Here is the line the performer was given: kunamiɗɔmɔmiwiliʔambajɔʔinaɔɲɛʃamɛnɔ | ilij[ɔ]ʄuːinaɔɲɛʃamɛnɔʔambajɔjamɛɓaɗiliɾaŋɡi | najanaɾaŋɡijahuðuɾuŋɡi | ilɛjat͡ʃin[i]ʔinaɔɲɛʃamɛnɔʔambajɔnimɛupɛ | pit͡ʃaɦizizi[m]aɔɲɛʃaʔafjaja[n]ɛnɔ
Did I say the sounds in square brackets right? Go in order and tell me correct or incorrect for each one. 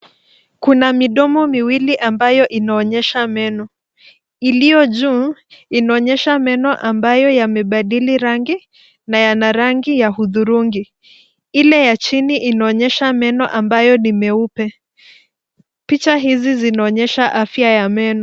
correct, correct, incorrect: n, incorrect: m

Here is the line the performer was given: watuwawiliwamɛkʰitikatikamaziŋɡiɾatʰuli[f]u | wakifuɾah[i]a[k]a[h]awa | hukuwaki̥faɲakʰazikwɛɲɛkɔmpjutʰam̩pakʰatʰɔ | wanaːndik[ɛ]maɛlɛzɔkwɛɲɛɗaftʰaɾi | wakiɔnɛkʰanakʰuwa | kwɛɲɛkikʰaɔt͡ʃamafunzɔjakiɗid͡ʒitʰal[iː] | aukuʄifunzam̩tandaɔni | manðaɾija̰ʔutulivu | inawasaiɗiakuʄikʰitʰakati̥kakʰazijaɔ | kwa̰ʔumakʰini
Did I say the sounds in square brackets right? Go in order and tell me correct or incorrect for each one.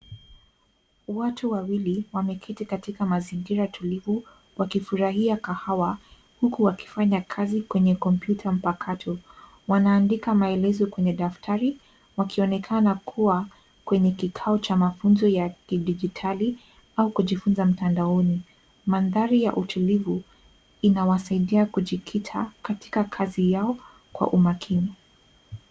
incorrect: v, correct, correct, correct, incorrect: a, incorrect: i

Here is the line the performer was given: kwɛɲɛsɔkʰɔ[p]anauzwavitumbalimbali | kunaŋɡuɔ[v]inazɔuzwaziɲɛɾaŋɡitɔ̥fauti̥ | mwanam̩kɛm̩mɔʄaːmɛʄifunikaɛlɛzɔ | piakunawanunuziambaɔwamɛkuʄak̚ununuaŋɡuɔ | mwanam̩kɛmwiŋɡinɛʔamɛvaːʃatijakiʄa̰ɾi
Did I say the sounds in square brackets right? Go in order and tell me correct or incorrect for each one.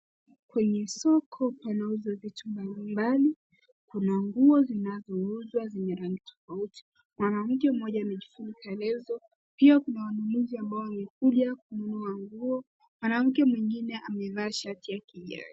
correct, incorrect: z

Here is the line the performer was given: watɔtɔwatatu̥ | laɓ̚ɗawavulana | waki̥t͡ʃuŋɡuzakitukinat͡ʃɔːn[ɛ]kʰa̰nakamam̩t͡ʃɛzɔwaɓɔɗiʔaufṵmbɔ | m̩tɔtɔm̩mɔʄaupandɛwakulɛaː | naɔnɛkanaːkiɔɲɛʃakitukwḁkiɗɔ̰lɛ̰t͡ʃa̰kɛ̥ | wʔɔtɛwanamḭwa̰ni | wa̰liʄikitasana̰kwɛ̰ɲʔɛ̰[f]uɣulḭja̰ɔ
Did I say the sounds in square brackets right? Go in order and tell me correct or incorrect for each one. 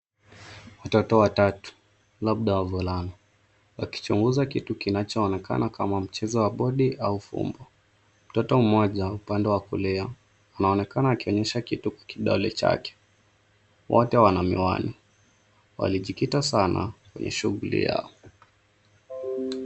correct, incorrect: ʃ

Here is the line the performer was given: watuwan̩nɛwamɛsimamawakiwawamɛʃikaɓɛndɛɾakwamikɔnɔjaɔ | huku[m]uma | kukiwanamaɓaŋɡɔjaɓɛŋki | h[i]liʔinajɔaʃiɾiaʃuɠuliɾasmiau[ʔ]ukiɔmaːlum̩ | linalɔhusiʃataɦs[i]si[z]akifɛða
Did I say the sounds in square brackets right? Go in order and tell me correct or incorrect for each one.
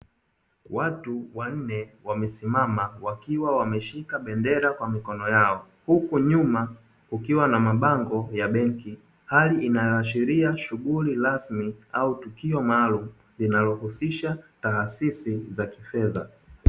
incorrect: ɲ, incorrect: a, incorrect: t, correct, correct

